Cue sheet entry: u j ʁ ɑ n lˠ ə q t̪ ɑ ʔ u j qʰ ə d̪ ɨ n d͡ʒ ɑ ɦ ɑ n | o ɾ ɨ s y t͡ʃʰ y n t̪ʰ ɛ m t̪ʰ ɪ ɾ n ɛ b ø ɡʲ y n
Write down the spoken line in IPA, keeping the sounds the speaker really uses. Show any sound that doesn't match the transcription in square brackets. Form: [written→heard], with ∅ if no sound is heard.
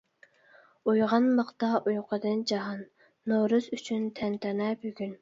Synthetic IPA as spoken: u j ʁ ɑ n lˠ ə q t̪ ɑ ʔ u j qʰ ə d̪ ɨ n d͡ʒ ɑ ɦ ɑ [n→nː] | o ɾ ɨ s y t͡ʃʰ y n t̪ʰ ɛ [m→n] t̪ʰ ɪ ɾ n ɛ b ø ɡʲ y n